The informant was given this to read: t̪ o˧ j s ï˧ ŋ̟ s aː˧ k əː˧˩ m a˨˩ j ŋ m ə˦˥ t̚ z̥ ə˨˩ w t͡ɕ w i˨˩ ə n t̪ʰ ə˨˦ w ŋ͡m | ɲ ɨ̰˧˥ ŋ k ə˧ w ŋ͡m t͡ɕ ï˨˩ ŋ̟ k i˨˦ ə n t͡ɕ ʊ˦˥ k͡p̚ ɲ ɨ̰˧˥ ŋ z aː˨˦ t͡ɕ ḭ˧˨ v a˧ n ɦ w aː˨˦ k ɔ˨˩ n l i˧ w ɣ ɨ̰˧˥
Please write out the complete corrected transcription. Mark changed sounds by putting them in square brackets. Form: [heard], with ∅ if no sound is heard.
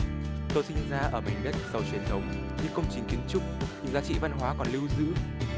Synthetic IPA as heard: t̪ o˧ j s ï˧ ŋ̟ [z] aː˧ [ʔ] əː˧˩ m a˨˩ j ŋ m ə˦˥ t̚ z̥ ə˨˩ w t͡ɕ w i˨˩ ə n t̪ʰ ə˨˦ w ŋ͡m | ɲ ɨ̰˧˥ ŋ k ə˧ w ŋ͡m t͡ɕ ï˨˩ ŋ̟ k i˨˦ ə n t͡ɕ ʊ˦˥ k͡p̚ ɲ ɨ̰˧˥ ŋ z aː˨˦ t͡ɕ ḭ˧˨ v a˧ n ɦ w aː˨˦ k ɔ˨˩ n l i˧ w [z] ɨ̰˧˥